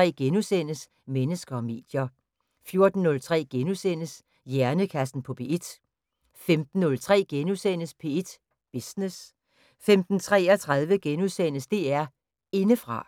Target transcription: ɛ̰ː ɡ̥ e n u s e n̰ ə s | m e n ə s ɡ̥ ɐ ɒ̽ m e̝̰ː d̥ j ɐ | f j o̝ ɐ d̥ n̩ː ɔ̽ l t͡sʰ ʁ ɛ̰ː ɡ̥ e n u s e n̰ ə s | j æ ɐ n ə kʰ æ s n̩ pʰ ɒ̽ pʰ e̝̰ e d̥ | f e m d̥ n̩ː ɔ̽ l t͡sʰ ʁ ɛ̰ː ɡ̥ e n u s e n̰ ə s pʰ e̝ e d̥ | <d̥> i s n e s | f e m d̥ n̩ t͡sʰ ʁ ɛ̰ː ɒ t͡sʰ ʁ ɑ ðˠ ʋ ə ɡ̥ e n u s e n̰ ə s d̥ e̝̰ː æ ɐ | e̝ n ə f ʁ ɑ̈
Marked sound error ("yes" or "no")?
yes